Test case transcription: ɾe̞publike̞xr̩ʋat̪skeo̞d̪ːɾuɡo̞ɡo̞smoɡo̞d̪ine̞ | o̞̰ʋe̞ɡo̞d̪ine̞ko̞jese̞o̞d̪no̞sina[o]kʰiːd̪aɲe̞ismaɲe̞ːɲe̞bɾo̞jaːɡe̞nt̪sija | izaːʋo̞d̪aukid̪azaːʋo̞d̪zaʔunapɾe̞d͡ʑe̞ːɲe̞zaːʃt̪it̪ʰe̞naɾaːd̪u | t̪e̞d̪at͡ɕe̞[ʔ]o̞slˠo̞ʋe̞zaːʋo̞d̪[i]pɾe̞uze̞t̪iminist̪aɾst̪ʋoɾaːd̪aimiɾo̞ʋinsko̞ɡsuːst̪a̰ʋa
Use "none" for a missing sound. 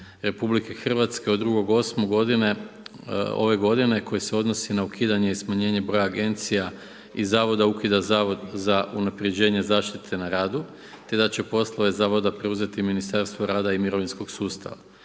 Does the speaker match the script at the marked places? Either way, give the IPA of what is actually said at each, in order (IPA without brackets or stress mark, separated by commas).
u, p, a